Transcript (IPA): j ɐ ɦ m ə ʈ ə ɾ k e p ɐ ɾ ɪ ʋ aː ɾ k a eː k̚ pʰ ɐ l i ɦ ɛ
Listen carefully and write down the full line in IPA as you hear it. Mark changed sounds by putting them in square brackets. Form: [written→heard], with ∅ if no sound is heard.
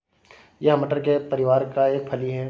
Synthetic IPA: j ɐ ɦ m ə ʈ ə ɾ k e p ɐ ɾ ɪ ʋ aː ɾ k a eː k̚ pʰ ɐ l i ɦ ɛ